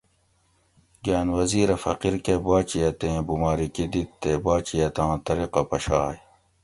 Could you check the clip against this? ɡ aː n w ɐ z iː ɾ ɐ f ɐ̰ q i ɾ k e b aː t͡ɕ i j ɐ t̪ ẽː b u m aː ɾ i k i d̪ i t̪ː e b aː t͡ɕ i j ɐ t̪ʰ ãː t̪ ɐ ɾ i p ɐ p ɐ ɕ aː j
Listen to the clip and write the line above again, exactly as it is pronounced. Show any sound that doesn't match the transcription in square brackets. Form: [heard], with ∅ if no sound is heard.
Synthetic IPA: ɡ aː n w ɐ z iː ɾ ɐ f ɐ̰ q i ɾ k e b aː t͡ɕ i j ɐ t̪ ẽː b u m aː ɾ i k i d̪ i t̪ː e b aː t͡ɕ i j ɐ [t̪] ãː t̪ ɐ ɾ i [q] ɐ p ɐ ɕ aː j